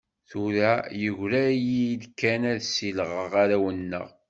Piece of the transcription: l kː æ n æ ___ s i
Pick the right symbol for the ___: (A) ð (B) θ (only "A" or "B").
A